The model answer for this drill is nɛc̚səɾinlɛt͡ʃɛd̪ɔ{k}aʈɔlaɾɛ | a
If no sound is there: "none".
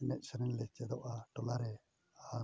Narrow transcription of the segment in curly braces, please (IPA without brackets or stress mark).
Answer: ʔ